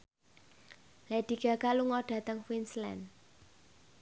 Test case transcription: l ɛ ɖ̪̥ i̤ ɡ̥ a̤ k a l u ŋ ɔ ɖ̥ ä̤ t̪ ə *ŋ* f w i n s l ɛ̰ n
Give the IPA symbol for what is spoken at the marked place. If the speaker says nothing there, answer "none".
ŋ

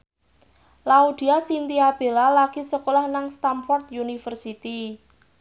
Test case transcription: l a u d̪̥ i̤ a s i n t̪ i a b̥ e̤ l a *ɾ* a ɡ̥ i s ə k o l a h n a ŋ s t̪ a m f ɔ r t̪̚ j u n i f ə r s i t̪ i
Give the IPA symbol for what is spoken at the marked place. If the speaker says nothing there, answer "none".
l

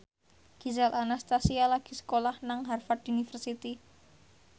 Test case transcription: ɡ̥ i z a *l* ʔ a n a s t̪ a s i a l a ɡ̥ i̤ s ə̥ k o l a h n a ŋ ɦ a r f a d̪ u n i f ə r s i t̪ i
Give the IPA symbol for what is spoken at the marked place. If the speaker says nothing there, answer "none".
l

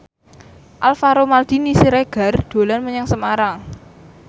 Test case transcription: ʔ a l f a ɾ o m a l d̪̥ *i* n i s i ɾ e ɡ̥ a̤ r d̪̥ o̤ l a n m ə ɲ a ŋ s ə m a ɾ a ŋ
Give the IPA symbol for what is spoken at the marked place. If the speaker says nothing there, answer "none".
i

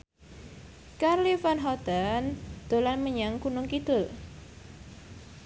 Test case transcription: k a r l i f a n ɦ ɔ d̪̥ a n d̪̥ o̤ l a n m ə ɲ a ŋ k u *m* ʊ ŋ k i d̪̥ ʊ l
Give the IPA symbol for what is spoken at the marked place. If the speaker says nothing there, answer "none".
n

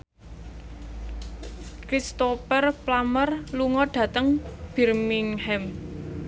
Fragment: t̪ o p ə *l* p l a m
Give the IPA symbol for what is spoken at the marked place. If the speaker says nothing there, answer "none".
r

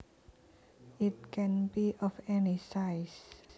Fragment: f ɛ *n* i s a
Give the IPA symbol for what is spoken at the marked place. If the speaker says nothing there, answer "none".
n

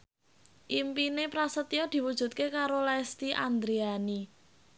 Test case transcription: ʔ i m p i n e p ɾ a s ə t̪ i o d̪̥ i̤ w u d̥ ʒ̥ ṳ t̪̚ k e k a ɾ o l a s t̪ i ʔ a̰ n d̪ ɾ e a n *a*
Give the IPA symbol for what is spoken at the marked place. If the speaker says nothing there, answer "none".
i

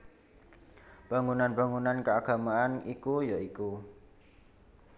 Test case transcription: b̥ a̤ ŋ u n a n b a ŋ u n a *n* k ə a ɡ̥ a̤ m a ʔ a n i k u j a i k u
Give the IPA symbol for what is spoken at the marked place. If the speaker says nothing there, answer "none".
n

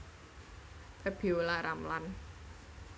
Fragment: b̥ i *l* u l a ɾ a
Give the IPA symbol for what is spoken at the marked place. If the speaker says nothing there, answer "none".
none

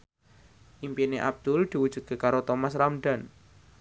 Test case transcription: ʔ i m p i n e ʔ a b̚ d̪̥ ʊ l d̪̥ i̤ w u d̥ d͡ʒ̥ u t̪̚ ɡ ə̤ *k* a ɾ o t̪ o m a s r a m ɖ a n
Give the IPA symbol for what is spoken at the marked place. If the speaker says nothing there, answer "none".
k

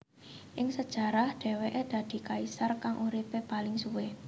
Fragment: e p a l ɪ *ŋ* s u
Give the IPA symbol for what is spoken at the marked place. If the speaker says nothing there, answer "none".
ŋ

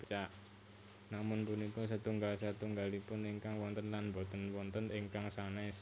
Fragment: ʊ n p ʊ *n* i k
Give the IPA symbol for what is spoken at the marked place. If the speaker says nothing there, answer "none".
n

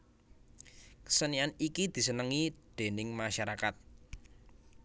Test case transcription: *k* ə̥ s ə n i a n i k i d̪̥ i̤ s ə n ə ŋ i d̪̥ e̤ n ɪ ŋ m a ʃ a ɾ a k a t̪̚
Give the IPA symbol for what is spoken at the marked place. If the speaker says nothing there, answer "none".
k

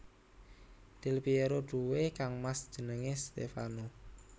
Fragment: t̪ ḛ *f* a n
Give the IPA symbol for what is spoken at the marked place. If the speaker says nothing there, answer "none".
f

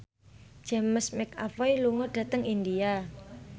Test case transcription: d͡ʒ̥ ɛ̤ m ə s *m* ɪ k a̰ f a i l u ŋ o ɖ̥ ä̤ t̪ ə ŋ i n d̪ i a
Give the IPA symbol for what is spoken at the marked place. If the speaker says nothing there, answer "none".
m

